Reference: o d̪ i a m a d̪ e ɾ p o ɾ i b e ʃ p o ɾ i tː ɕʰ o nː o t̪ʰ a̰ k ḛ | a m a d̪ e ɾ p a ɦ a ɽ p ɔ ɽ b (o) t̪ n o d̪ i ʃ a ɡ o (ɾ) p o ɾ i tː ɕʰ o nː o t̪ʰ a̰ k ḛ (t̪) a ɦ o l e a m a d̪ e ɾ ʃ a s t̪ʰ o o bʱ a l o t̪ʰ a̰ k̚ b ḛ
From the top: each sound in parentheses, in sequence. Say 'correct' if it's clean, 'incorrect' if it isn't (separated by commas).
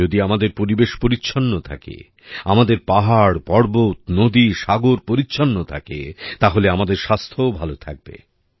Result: correct, correct, correct